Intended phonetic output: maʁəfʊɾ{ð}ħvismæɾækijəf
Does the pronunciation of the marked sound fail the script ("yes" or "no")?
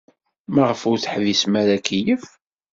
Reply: yes